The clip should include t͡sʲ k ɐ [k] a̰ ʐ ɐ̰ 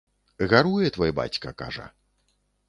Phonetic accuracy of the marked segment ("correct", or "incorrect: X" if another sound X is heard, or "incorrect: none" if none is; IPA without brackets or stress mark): correct